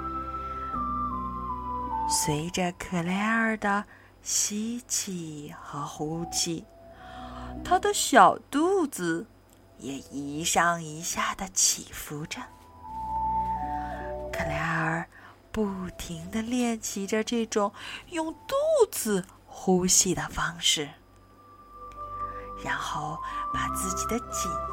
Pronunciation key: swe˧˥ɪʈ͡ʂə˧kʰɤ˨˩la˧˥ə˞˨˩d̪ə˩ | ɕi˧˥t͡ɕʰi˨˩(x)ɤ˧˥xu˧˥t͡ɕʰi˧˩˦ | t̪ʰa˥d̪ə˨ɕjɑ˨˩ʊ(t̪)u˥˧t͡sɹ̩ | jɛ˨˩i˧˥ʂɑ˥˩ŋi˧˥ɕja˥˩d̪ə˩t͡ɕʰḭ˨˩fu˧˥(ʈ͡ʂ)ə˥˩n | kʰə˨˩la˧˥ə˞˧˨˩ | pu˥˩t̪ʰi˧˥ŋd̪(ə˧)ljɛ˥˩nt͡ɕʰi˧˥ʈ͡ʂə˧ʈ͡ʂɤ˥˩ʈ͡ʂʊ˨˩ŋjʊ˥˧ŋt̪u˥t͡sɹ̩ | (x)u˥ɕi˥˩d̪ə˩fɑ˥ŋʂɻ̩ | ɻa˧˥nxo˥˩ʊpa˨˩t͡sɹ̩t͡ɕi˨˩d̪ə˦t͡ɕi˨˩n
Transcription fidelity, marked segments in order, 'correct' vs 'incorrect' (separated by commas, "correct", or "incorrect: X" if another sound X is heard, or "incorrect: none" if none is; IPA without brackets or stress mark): correct, correct, correct, correct, correct